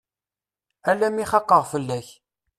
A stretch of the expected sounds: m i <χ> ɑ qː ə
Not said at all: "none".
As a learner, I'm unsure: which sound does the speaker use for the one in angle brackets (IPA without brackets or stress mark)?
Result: χ